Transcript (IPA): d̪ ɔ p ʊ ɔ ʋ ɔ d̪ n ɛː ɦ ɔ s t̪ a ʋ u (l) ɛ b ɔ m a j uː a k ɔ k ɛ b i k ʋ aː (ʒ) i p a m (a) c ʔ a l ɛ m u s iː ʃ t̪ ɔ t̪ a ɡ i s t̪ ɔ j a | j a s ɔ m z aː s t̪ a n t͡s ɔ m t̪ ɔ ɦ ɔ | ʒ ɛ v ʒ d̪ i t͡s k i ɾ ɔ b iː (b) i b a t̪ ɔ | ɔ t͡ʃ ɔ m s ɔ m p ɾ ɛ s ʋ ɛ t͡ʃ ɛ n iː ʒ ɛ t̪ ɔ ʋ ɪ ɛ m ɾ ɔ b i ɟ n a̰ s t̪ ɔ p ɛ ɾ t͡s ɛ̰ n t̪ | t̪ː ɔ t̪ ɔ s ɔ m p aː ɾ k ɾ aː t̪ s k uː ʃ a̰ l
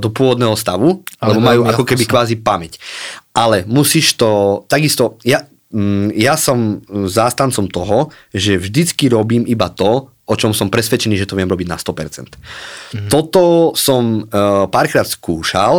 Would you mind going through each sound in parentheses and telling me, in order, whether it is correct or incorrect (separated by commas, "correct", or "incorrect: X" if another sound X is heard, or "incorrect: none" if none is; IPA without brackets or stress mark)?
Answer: correct, incorrect: z, incorrect: ɛ, incorrect: m